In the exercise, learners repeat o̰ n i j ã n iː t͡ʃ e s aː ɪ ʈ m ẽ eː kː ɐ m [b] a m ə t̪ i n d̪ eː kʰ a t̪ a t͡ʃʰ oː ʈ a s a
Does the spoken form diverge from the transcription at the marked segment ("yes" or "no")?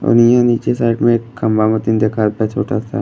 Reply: no